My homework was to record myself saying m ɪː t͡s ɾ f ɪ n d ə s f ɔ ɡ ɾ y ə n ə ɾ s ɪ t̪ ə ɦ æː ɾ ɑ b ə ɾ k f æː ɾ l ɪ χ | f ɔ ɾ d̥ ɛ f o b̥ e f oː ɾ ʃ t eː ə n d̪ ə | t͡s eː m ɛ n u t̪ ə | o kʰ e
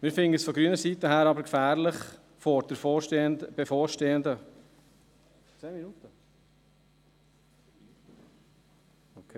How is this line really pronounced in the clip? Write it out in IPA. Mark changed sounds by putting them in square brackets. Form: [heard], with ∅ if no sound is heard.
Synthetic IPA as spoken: m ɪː [∅] ɾ f ɪ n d ə s f ɔ ɡ ɾ y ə n ə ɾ s [i] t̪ ə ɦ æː ɾ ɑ b ə ɾ k f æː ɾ l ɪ χ | f ɔ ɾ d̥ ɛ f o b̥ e f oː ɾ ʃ t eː ə n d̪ ə | t͡s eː m [i] n u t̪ ə | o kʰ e